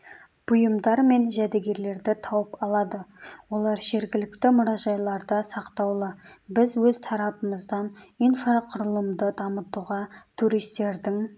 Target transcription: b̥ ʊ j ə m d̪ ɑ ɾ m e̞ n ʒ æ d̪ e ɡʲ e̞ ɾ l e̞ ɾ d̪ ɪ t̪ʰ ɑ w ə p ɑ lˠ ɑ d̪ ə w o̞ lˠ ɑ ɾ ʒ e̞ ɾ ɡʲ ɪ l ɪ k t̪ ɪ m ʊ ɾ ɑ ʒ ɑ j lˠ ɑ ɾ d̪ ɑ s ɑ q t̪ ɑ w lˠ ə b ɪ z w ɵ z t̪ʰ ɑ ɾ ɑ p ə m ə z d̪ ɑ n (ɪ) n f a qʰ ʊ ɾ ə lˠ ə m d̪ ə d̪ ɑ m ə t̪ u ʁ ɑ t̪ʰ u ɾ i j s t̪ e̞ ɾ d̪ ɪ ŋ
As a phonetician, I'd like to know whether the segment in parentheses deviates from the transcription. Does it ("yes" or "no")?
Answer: yes